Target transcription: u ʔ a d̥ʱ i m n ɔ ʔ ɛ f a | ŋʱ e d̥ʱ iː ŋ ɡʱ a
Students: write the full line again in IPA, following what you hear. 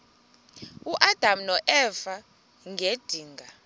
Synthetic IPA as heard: u ʔ a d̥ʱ a m n ɔ ʔ ɛ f a | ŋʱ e d̥ʱ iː ŋ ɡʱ a